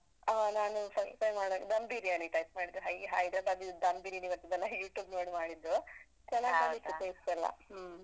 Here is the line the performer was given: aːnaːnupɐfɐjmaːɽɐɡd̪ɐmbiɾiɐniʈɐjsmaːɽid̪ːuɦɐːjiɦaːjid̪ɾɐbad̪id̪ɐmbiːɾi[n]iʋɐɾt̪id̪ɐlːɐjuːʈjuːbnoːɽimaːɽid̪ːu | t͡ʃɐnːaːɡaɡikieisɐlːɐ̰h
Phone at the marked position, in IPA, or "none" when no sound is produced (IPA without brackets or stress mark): n